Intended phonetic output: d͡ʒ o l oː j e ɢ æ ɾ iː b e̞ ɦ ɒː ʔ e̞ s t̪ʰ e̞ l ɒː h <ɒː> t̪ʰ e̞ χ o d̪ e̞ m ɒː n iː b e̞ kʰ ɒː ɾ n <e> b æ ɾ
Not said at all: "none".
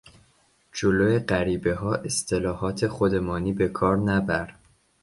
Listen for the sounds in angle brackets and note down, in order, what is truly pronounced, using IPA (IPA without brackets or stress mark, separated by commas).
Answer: ɒː, æ